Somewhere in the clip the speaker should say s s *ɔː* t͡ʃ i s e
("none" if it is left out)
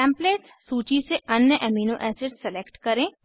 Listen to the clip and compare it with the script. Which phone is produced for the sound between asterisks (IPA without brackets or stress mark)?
uː